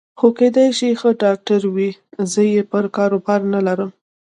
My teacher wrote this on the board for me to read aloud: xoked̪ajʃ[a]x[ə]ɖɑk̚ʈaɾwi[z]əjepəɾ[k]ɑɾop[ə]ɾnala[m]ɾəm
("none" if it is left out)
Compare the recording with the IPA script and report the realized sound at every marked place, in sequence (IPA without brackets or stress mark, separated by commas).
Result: i, ə, z, k, ɑ, none